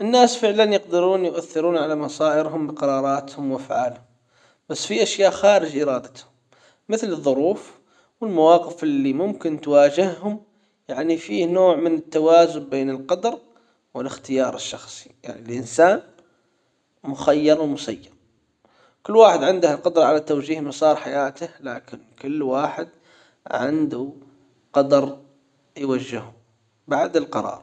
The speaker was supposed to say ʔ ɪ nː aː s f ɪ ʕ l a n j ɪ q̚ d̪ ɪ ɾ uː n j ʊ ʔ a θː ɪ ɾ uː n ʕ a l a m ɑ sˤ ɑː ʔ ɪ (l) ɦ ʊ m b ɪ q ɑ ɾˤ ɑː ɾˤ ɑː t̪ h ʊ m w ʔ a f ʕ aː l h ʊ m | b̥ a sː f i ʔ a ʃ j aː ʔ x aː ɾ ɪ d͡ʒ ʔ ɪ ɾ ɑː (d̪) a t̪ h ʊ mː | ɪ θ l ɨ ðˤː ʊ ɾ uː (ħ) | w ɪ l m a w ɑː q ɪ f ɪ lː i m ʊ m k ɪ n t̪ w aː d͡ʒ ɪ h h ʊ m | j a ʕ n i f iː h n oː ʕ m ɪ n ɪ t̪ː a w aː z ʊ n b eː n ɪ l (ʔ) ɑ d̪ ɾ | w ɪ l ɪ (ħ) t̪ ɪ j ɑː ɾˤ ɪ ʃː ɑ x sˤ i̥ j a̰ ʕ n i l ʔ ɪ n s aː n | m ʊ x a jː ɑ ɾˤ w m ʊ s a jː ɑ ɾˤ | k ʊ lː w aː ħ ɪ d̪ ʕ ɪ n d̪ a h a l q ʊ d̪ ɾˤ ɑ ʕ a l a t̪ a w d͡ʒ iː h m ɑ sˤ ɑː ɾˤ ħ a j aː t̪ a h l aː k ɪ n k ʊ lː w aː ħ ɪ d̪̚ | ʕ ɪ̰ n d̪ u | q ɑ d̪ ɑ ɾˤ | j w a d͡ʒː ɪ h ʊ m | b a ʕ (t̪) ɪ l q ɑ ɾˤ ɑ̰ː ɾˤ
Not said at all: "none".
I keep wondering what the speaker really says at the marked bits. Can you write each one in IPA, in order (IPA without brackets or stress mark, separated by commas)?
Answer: ɾ, d̪, f, q, x, d̪